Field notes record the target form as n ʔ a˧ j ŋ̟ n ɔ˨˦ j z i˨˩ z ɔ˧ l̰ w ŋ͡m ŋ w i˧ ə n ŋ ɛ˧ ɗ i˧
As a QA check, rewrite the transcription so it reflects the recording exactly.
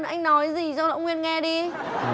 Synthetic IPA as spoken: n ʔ a˧ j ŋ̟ n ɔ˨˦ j z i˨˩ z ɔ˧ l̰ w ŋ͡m ŋ w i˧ ə n ŋ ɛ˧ ɗ i˧